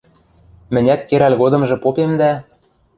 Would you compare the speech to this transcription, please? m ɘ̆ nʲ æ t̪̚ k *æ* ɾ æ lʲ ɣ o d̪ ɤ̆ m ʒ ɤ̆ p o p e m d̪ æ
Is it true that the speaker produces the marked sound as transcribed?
no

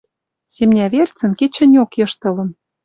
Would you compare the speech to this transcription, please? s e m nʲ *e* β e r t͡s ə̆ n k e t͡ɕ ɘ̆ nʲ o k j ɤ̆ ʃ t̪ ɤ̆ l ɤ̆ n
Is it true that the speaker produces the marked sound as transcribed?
no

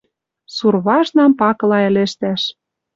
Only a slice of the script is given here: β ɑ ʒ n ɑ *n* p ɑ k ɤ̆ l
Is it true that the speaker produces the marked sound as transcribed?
no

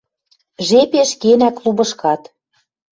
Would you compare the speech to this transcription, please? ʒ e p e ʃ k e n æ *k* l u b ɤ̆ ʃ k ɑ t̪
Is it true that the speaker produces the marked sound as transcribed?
yes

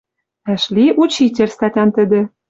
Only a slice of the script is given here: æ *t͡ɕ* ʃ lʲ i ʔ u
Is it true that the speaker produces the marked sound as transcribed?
no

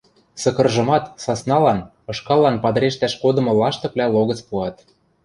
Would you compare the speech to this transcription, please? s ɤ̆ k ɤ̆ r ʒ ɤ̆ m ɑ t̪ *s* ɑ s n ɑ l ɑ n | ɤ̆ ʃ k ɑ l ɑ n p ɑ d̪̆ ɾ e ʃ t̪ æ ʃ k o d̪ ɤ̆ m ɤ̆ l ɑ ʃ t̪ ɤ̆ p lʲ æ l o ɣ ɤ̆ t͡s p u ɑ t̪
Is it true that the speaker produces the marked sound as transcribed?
yes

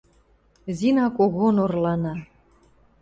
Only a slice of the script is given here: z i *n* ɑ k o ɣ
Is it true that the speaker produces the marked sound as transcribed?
yes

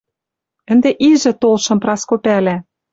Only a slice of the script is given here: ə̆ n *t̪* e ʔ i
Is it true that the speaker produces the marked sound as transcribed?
no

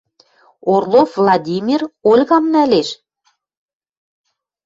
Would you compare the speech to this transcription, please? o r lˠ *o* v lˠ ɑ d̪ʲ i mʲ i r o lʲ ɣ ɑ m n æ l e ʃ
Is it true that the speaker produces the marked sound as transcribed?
yes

